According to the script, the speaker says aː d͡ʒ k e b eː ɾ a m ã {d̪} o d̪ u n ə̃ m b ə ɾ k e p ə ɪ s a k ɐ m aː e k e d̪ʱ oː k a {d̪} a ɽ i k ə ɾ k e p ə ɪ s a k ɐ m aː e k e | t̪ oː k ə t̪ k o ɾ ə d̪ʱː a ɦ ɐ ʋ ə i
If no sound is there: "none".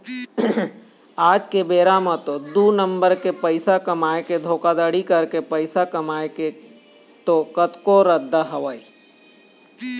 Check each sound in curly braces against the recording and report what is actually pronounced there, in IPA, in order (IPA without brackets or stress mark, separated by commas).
t̪, d̪